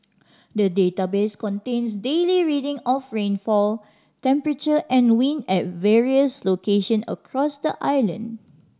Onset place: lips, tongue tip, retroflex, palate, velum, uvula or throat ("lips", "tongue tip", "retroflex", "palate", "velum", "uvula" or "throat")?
tongue tip